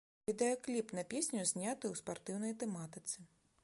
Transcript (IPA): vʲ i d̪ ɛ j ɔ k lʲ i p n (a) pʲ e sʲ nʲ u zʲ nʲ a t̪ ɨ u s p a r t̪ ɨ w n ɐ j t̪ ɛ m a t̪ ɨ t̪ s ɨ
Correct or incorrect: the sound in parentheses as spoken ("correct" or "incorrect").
incorrect